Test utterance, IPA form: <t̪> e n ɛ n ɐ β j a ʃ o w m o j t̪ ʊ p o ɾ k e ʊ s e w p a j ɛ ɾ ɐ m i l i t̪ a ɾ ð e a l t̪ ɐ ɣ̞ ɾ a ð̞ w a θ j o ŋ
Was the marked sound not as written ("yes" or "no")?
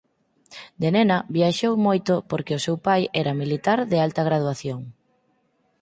yes